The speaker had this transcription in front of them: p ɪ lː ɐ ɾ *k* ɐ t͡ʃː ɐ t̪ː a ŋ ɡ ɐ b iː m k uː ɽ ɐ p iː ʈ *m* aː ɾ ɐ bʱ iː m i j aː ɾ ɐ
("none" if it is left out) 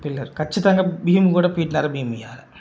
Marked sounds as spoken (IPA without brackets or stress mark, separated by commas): k, n